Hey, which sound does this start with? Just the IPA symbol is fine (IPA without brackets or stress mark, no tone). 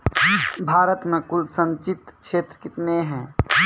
bʱ